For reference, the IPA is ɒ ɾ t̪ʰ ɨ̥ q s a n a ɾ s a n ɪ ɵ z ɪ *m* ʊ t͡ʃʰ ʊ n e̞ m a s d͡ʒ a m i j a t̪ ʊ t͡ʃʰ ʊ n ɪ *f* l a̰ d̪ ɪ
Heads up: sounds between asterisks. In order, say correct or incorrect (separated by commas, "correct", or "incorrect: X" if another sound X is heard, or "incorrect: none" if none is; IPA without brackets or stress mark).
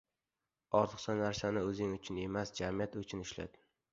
incorrect: ŋ, incorrect: ʃ